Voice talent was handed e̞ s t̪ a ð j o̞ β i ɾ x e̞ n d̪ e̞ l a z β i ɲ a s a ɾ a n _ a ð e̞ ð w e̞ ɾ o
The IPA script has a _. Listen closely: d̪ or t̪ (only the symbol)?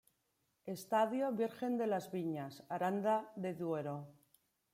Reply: d̪